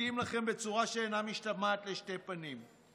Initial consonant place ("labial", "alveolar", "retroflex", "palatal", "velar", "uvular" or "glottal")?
labial